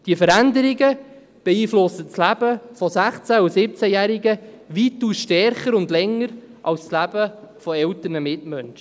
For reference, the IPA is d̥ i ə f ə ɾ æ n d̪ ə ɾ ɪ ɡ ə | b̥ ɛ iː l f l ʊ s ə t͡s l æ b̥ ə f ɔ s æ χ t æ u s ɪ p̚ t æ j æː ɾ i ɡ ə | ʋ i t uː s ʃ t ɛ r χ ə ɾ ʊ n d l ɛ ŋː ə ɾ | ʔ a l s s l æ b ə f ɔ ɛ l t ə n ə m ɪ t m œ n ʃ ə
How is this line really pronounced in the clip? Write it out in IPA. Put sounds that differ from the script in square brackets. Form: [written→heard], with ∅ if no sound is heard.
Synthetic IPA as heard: d̥ i ə f ə ɾ æ n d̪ ə ɾ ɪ ɡ ə | b̥ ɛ iː [l→∅] f l ʊ s ə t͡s l æ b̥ ə f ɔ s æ χ [t→t͡s] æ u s ɪ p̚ [t→t͡s] æ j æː ɾ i ɡ ə | ʋ i t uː s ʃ t ɛ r χ ə ɾ ʊ n d l ɛ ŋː ə ɾ | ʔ [a→ɑ] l s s l æ b ə f ɔ ɛ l t ə n ə m ɪ t m œ n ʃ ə